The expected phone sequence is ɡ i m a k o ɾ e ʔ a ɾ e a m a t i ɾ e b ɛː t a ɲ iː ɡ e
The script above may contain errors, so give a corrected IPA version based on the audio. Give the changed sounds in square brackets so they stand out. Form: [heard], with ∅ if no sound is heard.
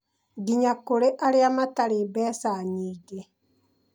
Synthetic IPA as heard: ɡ i [ɲ] a k o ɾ e ʔ a ɾ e a m a t [a] ɾ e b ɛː [s] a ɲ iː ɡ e